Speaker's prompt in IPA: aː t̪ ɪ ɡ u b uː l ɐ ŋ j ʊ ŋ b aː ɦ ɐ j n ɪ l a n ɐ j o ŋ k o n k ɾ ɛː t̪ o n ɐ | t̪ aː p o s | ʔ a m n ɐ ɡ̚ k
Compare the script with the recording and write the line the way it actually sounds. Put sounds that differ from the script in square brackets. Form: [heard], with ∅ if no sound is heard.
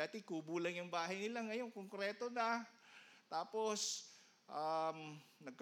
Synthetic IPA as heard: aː t̪ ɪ [k] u b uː l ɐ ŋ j ʊ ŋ b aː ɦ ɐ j n ɪ l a [ŋ] ɐ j o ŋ k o [ŋ] k ɾ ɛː t̪ o n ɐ | t̪ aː p o s | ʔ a m n ɐ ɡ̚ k